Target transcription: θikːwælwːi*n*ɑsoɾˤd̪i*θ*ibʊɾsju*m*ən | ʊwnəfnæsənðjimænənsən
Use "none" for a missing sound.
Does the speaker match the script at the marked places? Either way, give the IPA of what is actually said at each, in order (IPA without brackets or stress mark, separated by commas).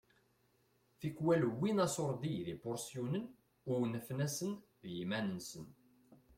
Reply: n, ð, n